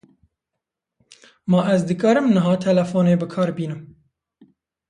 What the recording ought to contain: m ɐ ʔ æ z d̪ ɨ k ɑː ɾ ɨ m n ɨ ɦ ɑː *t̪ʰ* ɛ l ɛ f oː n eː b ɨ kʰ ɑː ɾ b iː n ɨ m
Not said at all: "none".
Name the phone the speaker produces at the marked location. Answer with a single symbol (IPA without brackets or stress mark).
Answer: t̪ʰ